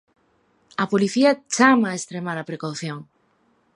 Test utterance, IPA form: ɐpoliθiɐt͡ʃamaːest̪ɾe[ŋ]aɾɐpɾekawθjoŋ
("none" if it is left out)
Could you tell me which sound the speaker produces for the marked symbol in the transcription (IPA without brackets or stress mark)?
m